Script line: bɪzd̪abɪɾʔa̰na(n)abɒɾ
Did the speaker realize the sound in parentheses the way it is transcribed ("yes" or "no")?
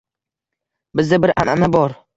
yes